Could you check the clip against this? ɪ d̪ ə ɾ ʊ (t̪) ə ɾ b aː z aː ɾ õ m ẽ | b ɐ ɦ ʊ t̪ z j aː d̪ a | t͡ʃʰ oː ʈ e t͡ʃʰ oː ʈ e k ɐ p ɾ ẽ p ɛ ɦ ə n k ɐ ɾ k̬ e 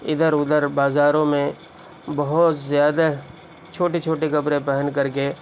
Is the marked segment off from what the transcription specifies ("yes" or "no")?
yes